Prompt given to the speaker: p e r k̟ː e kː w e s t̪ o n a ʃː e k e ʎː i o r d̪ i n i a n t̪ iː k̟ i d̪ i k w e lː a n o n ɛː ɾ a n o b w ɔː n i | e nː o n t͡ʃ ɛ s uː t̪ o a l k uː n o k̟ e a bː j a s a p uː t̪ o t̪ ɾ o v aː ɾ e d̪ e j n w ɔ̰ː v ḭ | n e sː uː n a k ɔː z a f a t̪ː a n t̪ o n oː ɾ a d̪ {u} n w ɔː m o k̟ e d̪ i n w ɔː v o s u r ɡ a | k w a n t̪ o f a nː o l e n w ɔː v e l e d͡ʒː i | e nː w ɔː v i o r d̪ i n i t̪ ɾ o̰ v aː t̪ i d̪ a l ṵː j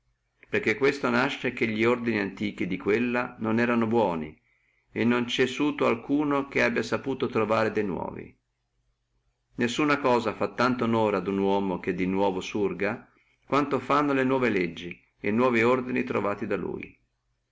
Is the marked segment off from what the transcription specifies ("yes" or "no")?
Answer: no